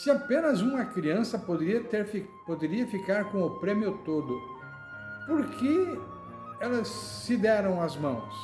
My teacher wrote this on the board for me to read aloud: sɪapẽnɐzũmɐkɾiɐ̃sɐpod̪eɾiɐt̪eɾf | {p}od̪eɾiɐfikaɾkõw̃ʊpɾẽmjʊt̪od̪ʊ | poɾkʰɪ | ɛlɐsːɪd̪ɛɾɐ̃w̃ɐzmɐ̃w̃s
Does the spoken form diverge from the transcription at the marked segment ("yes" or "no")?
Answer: no